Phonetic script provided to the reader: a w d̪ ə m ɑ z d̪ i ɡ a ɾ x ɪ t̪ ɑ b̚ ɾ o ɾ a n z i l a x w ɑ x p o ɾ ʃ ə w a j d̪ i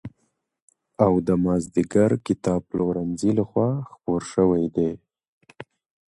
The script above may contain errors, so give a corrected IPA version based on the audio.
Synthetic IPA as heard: a w d̪ ə m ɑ z d̪ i ɡ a ɾ k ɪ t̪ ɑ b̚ l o ɾ a n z i l a x w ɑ x p o ɾ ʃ ə w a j d̪ e